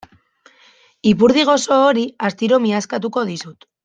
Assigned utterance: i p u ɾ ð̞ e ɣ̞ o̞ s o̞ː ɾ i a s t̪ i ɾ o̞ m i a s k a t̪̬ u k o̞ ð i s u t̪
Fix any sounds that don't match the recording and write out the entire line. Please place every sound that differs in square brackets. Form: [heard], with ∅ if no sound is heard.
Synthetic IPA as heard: i p u ɾ ð̞ [i] ɣ̞ o̞ s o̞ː ɾ i a s t̪ i ɾ o̞ m i a s k a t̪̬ u k o̞ ð i s u t̪